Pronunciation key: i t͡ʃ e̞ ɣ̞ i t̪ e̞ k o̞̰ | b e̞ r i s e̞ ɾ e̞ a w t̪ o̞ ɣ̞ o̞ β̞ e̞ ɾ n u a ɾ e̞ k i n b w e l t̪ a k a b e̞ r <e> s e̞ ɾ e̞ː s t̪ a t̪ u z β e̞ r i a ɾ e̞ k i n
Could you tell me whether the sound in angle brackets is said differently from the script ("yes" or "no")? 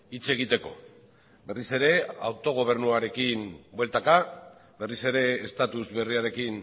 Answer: yes